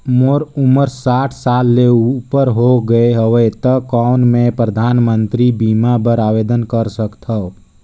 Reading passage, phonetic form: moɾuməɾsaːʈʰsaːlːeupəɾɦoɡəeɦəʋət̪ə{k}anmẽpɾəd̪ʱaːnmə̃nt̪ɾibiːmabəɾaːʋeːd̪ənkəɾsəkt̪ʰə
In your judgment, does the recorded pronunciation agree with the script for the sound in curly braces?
yes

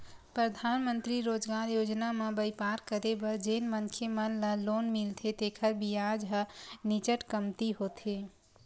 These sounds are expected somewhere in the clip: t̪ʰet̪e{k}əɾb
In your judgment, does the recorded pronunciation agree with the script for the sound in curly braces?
no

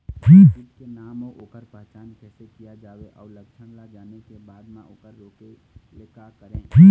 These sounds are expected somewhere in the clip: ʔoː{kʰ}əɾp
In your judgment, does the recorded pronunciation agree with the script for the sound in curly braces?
no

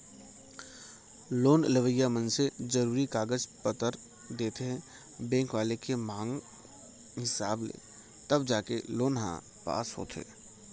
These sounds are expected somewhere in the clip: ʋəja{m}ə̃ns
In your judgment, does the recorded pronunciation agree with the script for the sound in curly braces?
yes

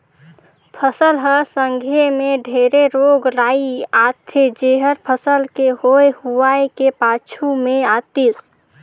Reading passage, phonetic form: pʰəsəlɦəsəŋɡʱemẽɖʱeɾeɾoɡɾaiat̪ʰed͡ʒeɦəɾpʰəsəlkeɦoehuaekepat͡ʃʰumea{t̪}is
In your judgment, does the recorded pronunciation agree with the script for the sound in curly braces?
yes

